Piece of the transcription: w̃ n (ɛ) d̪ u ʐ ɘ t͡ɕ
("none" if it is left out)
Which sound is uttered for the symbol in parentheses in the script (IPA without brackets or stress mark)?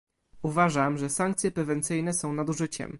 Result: a